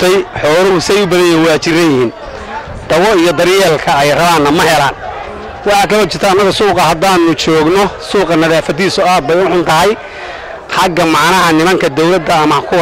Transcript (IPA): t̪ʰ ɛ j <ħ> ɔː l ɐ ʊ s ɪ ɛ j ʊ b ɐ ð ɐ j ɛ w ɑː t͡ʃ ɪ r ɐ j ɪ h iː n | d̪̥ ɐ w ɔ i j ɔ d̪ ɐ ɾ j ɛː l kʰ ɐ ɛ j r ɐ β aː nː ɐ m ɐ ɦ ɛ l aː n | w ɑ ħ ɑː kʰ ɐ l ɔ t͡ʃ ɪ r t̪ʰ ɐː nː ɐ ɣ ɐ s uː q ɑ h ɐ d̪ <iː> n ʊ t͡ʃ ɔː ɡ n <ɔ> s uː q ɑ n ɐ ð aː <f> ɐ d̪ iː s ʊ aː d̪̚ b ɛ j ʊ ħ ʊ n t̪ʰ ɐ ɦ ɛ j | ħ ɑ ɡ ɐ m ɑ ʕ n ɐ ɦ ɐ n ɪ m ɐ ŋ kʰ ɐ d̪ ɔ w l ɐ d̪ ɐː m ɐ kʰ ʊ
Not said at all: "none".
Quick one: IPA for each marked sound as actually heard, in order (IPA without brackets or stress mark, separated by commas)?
ħ, aː, ɔ, f